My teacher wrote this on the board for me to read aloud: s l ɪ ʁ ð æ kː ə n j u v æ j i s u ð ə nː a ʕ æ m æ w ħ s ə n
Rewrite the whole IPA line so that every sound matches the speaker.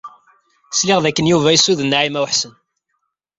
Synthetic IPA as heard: s l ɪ ʁ ð æ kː ə n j u v æ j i s u ð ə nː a ʕ i m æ w ħ s ə n